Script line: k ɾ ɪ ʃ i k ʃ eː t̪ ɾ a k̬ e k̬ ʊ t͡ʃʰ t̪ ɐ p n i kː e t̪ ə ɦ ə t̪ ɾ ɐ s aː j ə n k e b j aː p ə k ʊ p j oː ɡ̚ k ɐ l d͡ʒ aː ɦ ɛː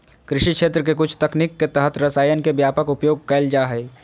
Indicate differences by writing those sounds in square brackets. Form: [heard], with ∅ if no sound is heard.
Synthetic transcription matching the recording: k ɾ ɪ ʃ i k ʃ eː t̪ ɾ [ə] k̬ e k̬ ʊ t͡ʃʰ t̪ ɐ [k] n i kː e t̪ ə ɦ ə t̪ ɾ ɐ s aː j ə n k e b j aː p ə k ʊ p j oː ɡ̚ k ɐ l d͡ʒ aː ɦ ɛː